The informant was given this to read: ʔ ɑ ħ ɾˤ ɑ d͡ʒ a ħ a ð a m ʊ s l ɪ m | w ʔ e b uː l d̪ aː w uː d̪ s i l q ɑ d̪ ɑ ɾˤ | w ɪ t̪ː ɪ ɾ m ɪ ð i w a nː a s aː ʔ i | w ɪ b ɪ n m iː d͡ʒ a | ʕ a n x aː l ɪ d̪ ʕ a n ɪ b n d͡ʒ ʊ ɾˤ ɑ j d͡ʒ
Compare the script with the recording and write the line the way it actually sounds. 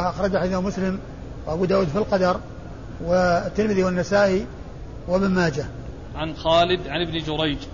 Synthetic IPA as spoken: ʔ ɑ x ɾˤ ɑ d͡ʒ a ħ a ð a m ʊ s l ɪ m | w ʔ a b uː d̪ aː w uː d̪ f i l q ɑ d̪ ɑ ɾˤ | w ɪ t̪ː ɪ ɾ m ɪ ð i w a nː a s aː ʔ i | w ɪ b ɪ n m aː d͡ʒ a | ʕ a n x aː l ɪ d̪ ʕ a n ɪ b n d͡ʒ ʊ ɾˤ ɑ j d͡ʒ